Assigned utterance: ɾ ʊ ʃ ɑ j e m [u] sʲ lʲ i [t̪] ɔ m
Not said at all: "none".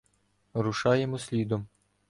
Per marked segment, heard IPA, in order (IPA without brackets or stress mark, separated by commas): ɔ, d̪